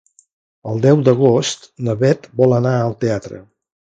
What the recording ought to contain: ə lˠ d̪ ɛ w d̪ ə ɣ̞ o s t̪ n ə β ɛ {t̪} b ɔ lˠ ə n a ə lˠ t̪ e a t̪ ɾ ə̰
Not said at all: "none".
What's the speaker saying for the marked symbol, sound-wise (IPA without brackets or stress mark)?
t̪